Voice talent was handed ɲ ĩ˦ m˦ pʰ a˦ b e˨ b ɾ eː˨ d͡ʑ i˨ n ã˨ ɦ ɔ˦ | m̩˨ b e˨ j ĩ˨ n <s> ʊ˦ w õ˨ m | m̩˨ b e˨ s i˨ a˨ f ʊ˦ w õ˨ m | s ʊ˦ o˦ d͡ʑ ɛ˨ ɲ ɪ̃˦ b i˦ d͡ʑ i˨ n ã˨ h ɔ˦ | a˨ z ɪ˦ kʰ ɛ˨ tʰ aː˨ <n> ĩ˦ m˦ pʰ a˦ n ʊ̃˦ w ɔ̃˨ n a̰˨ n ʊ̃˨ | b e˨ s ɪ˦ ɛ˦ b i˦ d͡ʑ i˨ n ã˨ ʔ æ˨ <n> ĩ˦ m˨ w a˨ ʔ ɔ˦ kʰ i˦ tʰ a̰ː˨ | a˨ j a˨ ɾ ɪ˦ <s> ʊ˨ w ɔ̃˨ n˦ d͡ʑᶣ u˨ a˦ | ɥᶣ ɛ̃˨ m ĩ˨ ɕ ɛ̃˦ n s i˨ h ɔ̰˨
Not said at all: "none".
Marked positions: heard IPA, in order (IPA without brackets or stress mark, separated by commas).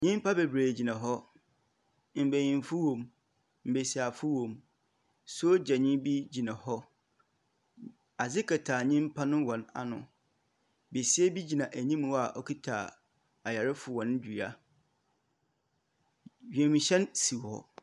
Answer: f, ɲ, ɲ, f